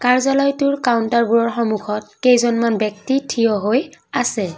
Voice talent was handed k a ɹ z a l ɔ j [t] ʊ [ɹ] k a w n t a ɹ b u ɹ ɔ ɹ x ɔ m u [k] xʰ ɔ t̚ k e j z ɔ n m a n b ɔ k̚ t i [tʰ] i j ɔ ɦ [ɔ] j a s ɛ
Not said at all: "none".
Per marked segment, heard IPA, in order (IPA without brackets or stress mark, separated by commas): t, ɹ, none, tʰ, o